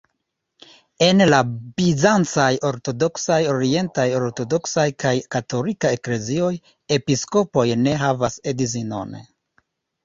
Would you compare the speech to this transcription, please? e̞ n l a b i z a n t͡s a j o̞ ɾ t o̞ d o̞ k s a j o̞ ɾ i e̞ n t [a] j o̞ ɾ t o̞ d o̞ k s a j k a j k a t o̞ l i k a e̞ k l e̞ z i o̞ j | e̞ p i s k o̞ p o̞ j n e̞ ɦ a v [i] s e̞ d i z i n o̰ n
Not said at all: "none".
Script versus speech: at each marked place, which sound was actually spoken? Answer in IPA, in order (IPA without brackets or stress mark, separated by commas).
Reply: a, a